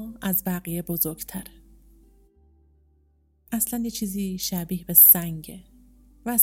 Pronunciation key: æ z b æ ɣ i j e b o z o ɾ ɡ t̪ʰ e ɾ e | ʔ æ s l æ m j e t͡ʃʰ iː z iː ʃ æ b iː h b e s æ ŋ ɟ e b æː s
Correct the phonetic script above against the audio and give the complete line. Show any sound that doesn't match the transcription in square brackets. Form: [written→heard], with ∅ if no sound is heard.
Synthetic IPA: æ z b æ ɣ i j e b o z o ɾ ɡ t̪ʰ [e→æ] ɾ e | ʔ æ s l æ [m→n] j e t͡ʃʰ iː z iː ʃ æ b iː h b e s æ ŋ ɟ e [b→v] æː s